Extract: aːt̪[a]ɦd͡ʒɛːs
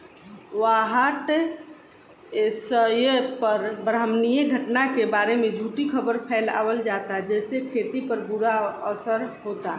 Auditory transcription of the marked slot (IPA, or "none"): a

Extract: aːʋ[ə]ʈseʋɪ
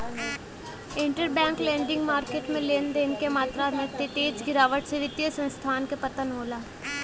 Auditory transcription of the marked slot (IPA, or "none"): ə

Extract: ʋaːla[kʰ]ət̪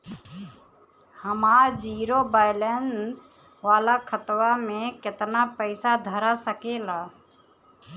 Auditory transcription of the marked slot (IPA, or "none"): kʰ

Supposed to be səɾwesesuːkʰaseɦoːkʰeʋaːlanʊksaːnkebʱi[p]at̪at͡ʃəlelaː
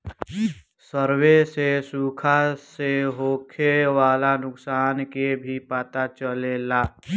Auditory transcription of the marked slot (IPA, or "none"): p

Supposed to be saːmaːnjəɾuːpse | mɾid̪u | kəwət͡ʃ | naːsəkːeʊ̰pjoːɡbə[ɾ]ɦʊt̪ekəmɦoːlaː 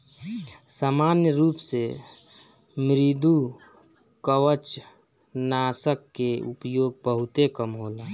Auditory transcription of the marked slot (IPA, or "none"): none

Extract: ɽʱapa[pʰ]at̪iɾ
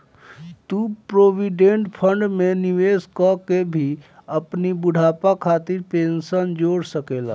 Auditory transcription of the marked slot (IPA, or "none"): kʰ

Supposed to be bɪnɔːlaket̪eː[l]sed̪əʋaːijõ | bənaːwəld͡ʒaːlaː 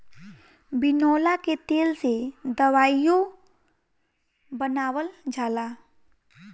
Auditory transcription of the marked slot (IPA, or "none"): l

